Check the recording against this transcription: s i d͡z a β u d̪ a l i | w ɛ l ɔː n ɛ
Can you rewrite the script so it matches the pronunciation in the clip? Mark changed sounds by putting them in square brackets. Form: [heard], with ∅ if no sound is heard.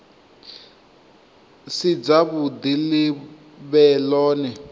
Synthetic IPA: s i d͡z a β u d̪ [i] l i | [β] ɛ l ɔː n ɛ

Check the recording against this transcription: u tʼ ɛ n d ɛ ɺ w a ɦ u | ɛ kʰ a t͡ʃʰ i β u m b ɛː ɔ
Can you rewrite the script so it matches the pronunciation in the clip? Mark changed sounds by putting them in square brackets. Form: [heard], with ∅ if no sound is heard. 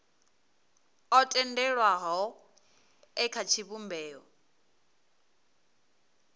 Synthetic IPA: [ɔ] tʼ ɛ n d ɛ ɺ w a ɦ [ɔ] | ɛ kʰ a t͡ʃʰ i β u m b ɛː ɔ

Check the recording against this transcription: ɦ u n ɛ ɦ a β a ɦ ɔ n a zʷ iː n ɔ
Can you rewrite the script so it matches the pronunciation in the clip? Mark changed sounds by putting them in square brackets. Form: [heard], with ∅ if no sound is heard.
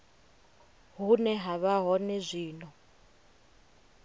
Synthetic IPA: ɦ u n ɛ ɦ a β a ɦ ɔ n [ɛ] zʷ iː n ɔ

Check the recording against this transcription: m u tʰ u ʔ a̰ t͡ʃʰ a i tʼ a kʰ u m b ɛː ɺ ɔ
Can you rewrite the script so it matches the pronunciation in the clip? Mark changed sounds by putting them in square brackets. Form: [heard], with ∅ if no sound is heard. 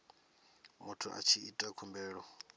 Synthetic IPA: m u tʰ u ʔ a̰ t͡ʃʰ [i] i tʼ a kʰ u m b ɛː ɺ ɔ

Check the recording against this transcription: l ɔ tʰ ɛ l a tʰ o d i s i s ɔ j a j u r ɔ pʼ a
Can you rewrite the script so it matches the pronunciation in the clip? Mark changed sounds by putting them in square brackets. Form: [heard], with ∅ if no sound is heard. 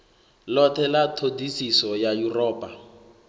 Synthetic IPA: l ɔ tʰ ɛ l a tʰ o d i s i s ɔ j a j u r [ɔː] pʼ a

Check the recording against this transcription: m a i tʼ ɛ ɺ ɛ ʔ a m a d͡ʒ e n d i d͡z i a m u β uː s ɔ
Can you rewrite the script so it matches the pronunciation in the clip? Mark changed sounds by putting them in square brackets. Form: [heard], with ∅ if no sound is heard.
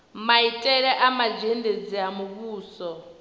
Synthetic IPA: m a i tʼ ɛ ɺ ɛ ʔ a m a d͡ʒ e n d [e] d͡z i a m u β uː s ɔ

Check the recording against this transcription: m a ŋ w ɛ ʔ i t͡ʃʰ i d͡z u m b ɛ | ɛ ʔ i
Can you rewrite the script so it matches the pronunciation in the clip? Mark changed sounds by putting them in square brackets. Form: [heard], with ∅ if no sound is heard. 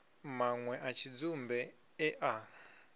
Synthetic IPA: m a ŋ w ɛ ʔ [a] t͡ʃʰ i d͡z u m b ɛ | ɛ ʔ [a]

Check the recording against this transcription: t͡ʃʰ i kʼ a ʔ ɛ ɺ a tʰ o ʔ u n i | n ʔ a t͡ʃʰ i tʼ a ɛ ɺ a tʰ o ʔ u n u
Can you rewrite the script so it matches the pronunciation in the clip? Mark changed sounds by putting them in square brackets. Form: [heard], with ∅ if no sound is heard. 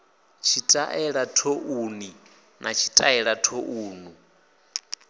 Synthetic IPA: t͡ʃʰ i [tʼ] a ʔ ɛ ɺ a tʰ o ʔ u n i | n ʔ a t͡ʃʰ i tʼ a ɛ ɺ a tʰ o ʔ [uː] n u

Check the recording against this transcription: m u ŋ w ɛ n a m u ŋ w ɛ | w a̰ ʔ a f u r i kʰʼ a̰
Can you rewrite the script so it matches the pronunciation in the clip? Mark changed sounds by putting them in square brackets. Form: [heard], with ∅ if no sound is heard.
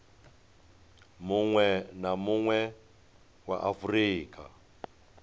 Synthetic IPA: m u ŋ w ɛ n a m u ŋ w ɛ | w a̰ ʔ a f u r [iː] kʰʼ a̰

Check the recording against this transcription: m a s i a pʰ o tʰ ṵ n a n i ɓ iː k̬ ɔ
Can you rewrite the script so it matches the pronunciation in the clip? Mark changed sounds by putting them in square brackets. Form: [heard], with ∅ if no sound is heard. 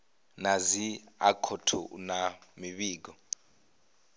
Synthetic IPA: [n] a [z] i a [kʰ] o tʰ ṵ n a [m] i ɓ iː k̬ ɔ

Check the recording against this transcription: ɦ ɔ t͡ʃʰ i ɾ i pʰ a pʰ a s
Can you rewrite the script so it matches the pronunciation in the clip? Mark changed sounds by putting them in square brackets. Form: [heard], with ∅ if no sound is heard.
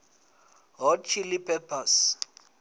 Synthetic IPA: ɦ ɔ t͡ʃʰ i [l] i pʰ [ɛ] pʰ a s

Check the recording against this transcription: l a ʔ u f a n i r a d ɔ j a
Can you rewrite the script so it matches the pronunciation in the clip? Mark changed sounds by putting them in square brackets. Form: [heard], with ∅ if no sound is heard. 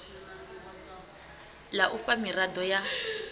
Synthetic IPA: l a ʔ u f a [m] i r a d ɔ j a

